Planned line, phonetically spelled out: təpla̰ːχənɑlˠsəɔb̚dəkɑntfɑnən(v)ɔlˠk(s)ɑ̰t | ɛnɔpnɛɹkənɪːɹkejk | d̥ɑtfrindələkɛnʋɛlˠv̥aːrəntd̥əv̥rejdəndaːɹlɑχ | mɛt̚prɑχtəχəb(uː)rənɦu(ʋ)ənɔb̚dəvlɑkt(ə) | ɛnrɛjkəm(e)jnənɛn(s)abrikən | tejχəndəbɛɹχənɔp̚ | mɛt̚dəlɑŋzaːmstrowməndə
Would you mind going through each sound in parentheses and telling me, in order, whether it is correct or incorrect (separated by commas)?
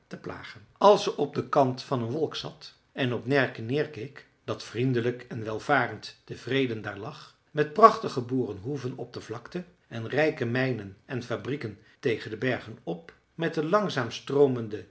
incorrect, correct, correct, incorrect, correct, incorrect, incorrect